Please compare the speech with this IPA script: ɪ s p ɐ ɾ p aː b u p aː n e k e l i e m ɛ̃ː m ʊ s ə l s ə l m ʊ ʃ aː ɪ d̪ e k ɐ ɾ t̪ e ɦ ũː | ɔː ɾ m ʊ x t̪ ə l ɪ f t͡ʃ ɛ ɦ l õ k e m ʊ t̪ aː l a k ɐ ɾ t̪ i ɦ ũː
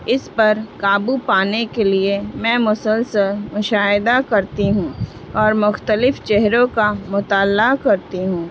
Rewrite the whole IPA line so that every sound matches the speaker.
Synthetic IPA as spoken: ɪ s p ɐ ɾ k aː b u p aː n e k e l i e m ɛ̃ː m ʊ s ə l s ə l m ʊ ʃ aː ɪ d̪ a k ɐ ɾ t̪ i ɦ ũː | ɔː ɾ m ʊ x t̪ ə l ɪ f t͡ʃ ɛ ɦ ɾ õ k a m ʊ t̪ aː l a k ɐ ɾ t̪ i ɦ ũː

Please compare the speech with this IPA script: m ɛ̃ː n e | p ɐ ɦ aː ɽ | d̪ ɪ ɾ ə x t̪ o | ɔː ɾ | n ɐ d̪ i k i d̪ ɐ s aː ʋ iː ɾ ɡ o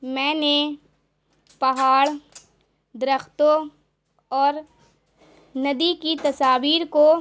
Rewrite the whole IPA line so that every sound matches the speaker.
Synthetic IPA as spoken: m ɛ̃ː n e | p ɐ ɦ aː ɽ | d̪ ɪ ɾ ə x t̪ o | ɔː ɾ | n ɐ d̪ i k i t̪ ɐ s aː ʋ iː ɾ k o

